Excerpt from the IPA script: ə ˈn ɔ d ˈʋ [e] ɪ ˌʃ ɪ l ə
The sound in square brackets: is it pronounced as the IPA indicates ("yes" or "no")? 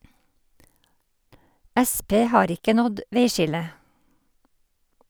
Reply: yes